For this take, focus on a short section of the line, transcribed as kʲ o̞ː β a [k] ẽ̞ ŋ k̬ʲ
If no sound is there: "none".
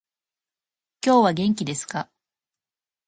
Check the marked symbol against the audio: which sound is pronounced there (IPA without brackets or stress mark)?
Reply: ɡ